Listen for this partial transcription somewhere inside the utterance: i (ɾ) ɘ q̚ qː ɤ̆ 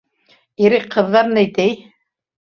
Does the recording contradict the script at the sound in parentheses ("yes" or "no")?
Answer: no